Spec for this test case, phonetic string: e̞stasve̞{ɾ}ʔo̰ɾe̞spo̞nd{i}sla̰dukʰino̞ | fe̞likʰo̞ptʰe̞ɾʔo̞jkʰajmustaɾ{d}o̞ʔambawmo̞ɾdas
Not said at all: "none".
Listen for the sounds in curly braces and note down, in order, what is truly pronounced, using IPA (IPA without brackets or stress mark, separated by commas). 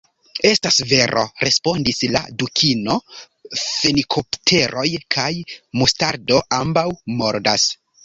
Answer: ɾ, i, d